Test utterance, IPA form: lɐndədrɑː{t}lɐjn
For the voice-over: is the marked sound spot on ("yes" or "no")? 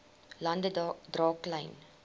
no